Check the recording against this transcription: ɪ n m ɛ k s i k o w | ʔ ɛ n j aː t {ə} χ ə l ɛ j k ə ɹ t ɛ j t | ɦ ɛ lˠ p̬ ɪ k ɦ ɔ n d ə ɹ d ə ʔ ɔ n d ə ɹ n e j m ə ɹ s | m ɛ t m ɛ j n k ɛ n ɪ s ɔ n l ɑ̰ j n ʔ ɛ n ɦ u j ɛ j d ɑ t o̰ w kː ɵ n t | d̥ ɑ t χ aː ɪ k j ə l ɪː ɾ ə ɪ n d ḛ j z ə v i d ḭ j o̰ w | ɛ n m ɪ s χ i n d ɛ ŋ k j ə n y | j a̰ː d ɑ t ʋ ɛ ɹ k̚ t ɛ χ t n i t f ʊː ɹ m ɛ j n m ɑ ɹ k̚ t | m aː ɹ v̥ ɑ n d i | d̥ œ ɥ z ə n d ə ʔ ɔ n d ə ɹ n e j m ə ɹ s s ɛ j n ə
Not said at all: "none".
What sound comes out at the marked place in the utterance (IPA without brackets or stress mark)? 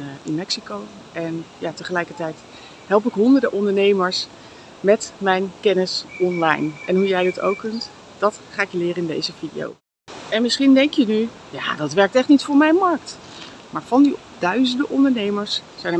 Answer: ə